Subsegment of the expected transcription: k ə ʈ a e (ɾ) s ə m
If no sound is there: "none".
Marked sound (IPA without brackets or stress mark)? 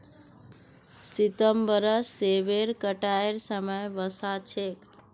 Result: ɾ